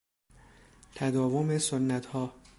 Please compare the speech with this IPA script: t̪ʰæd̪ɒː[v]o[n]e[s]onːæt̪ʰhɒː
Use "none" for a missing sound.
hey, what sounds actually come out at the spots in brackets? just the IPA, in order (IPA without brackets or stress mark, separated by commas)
v, m, s